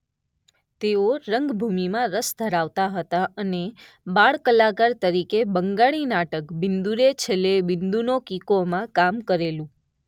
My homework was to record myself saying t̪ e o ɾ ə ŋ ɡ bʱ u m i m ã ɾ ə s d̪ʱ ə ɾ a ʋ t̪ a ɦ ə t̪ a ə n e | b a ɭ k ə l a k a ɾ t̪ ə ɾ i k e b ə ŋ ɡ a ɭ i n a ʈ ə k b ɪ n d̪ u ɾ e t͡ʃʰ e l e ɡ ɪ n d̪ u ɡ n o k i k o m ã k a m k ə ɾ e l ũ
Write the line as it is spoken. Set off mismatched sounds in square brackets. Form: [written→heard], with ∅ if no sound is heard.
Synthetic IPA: t̪ e o ɾ ə ŋ ɡ bʱ u m i m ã ɾ ə s d̪ʱ ə ɾ a ʋ t̪ a ɦ ə t̪ a ə n e | b a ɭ k ə l a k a ɾ t̪ ə ɾ i k e b ə ŋ ɡ a ɭ i n a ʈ ə k b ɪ n d̪ u ɾ e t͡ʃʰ e l e [ɡ→b] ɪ n d̪ u [ɡ→∅] n o k i k o m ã k a m k ə ɾ e l ũ

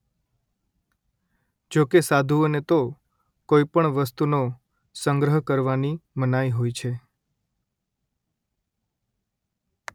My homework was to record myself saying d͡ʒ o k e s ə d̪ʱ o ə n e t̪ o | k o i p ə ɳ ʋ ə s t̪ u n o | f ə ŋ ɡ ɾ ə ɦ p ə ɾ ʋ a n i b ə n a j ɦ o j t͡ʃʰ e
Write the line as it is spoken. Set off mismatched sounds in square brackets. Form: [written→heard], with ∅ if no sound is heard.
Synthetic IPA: d͡ʒ o k e s [ə→a] d̪ʱ [o→u] ə n e t̪ o | k o i p ə ɳ ʋ ə s t̪ u n o | [f→s] ə ŋ ɡ ɾ ə ɦ [p→k] ə ɾ ʋ a n i [b→m] ə n a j ɦ o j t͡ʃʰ e

